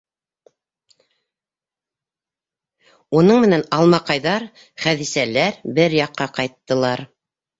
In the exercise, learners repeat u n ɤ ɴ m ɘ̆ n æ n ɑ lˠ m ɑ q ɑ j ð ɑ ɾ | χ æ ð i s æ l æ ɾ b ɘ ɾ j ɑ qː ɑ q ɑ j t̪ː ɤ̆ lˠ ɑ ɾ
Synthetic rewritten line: u n ɤ ɴ m ɘ̆ n æ n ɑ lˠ m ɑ q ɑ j ð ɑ ɾ | χ æ ð i s æ l æ ɾ b ɘ ɾ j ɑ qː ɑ q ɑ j t̪ː ɤ̆ lˠ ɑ ɾ